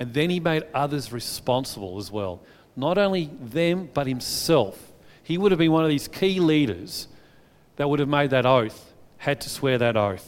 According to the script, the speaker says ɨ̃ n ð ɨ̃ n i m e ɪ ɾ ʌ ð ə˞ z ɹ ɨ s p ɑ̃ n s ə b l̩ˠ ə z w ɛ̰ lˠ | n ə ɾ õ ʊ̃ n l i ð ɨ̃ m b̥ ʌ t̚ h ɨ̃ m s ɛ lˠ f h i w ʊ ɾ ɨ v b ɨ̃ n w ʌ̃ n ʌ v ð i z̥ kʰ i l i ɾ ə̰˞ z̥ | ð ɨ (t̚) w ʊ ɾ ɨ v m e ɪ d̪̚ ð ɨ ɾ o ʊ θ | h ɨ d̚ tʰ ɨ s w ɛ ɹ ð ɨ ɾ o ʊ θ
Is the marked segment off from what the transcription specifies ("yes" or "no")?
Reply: no